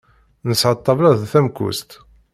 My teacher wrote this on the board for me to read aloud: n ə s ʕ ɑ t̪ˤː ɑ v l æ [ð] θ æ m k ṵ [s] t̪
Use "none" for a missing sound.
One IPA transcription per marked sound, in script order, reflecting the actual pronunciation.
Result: ð, s

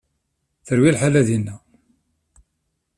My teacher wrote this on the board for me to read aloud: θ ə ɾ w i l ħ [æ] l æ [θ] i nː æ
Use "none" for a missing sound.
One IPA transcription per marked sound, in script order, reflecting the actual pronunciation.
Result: a, ð

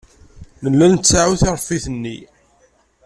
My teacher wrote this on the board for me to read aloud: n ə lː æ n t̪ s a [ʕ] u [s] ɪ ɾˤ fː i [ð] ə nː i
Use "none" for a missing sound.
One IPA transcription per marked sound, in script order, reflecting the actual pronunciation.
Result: ʕ, θ, θ

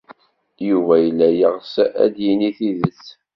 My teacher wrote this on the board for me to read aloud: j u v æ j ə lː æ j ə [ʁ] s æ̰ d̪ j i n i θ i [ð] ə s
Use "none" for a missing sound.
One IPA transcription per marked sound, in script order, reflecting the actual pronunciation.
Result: ʁ, ð

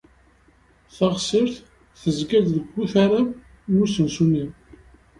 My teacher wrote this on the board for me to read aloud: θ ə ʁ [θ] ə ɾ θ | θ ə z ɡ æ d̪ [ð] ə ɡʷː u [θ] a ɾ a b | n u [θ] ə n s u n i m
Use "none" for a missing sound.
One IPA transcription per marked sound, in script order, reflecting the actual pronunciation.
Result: s, ð, θ, s

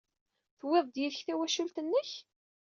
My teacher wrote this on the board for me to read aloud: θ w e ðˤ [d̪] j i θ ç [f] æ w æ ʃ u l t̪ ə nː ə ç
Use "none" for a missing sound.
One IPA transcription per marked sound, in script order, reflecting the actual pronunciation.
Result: d̪, θ

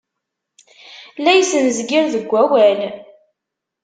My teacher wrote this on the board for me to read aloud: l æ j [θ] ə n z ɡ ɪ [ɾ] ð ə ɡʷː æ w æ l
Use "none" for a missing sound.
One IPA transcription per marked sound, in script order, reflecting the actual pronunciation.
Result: s, ɾ

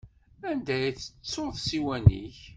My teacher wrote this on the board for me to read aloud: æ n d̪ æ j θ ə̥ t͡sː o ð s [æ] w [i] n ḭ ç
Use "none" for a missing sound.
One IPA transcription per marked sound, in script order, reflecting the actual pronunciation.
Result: i, æ

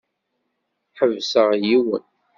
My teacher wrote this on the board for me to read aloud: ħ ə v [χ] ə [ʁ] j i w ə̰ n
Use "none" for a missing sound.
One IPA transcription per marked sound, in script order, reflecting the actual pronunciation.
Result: s, ʁ

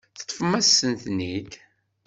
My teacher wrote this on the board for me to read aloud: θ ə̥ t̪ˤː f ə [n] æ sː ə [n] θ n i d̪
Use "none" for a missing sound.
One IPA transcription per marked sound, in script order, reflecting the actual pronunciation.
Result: m, n

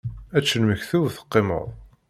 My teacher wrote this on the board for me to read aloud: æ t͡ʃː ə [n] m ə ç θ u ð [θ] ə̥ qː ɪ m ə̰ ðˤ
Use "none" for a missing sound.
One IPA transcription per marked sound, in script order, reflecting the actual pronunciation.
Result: n, θ

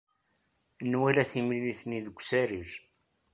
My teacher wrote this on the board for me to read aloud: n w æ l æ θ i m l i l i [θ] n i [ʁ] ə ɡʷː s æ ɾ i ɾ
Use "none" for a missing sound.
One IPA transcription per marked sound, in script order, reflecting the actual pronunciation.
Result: θ, ð

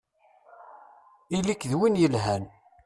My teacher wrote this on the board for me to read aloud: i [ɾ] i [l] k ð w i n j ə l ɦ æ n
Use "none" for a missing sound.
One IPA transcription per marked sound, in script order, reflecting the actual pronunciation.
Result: l, none

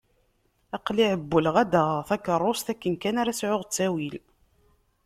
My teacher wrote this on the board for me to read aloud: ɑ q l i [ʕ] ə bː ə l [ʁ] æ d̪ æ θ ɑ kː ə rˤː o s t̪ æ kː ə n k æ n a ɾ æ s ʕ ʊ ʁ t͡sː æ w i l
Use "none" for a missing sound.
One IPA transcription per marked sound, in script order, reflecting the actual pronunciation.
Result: ʕ, ʁ

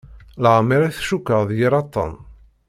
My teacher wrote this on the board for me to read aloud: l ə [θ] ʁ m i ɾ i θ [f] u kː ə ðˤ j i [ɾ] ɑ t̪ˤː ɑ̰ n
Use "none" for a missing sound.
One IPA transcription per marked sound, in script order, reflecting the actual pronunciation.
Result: none, ʃ, ɾ

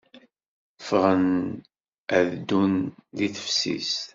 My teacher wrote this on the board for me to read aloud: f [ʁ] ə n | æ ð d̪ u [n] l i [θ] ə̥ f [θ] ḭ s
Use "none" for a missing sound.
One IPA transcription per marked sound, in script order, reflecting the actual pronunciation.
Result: ʁ, n, θ, s

